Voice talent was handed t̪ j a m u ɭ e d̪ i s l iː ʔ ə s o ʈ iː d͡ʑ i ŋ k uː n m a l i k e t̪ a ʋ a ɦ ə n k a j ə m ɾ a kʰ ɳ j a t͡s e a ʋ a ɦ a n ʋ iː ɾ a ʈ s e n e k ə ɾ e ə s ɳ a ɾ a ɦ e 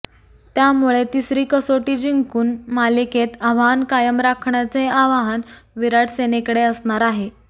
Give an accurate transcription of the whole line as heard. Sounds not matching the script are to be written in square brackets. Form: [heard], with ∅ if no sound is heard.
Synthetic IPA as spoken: t̪ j a m u ɭ e [t̪] i s [ɾ] iː [k] ə s o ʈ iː d͡ʑ i ŋ k uː n m a l i k e t̪ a ʋ a ɦ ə n k a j ə m ɾ a kʰ ɳ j a t͡s e a ʋ a ɦ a n ʋ [i] ɾ a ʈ s e n e k ə [ɽ] e ə s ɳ a ɾ a ɦ e